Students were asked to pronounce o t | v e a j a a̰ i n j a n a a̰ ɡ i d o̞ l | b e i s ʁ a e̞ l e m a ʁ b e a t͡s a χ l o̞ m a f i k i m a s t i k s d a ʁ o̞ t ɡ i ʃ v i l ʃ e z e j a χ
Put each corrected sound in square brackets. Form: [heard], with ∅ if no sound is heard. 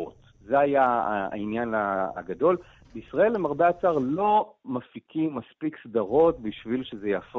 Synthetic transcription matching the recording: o t | [z] e a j a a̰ i n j a n a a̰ ɡ [a] d o̞ l | b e i s ʁ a e̞ l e m a ʁ b e a t͡s a [ʁ] l o̞ m a f i k i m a s [p] i k s d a ʁ o̞ t [b] i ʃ v i l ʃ e z e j a [f]